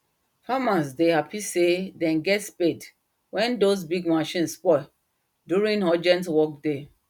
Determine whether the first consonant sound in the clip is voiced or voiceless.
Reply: voiceless